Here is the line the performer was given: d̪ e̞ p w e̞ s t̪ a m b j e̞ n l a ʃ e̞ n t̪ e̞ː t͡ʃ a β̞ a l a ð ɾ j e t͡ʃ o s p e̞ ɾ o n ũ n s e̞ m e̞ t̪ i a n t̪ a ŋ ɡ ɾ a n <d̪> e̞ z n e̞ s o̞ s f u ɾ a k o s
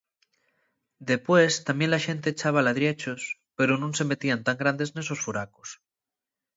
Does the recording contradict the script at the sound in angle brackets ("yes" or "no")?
no